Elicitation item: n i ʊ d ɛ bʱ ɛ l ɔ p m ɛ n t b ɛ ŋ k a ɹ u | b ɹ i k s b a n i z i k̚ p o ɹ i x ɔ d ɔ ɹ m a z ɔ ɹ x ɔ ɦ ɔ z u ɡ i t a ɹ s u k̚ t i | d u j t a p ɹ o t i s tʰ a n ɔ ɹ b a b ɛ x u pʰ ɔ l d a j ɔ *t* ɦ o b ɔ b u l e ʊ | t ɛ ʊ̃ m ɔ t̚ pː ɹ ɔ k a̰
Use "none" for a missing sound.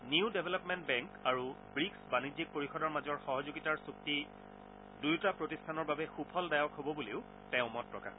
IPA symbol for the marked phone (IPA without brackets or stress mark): k